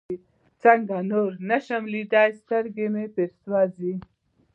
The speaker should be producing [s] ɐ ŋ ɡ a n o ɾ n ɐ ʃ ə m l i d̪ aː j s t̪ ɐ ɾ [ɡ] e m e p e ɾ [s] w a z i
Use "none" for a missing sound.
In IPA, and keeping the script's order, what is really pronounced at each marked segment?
t͡s, ɡ, s

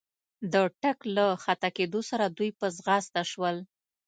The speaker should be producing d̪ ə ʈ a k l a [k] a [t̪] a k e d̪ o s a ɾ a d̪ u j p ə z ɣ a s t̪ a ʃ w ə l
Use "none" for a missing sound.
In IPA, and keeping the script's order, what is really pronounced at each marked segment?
x, t̪

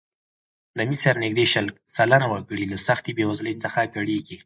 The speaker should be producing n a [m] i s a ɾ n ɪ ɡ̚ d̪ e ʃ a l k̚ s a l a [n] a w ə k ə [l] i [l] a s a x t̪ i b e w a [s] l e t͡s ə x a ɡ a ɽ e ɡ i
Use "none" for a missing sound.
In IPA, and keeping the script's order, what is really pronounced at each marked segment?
m, n, ɽ, l, z

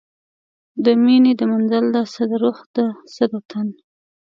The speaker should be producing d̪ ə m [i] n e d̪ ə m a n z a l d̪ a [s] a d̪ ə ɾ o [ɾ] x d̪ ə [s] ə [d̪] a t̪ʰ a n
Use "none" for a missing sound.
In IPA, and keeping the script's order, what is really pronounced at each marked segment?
i, s, none, s, d̪

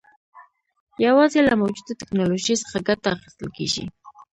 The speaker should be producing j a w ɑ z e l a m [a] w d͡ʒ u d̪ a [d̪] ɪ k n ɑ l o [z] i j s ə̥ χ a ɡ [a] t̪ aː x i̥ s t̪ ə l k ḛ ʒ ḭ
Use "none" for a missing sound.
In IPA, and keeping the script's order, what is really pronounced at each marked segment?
a, t̪, ʒ, a

